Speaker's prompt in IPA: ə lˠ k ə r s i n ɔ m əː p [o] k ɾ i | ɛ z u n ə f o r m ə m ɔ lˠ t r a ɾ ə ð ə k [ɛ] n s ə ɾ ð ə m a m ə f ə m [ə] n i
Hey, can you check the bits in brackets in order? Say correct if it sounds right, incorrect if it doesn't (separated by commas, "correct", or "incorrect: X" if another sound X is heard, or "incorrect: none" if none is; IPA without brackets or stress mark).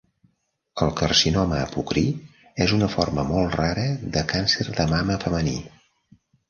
incorrect: u, incorrect: a, correct